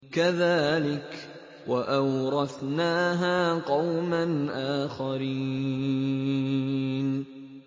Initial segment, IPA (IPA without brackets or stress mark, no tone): k